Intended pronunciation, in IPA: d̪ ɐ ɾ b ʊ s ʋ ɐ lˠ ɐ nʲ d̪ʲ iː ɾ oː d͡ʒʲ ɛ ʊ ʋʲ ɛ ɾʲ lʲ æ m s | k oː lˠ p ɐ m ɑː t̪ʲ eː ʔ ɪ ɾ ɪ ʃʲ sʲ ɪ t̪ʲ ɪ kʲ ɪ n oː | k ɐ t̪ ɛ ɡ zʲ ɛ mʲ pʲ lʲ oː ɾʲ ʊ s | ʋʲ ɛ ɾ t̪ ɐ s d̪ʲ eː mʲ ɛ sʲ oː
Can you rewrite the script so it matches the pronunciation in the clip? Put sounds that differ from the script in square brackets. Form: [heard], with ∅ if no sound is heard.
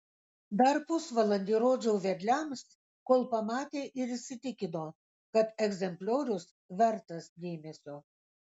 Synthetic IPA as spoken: d̪ ɐ ɾ [p] ʊ s ʋ ɐ lˠ ɐ nʲ d̪ʲ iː ɾ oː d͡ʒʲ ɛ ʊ ʋʲ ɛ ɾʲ lʲ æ m s | k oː lˠ p ɐ m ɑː t̪ʲ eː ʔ ɪ ɾ ɪ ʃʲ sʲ ɪ t̪ʲ ɪ kʲ ɪ n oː | k ɐ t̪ ɛ ɡ zʲ ɛ mʲ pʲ lʲ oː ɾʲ ʊ s | ʋʲ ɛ ɾ t̪ ɐ s d̪ʲ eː mʲ ɛ sʲ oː